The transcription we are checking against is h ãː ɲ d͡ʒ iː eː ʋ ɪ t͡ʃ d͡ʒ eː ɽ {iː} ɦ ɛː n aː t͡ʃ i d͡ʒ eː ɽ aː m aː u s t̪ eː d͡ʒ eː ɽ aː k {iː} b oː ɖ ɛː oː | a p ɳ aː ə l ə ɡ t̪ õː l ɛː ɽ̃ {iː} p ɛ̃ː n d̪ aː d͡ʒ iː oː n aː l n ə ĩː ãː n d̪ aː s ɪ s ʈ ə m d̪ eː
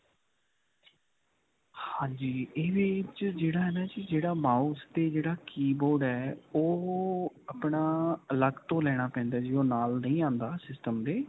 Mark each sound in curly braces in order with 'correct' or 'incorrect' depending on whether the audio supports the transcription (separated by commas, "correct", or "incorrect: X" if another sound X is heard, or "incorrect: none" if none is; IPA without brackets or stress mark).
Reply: incorrect: aː, correct, incorrect: aː